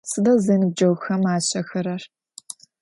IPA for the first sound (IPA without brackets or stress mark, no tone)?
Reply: s